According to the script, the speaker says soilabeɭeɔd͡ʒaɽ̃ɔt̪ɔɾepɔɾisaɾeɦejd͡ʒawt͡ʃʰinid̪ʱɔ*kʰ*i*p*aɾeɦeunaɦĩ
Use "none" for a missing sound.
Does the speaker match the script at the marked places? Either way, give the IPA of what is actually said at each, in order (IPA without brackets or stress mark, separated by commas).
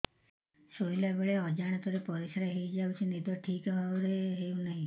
ʈʰ, k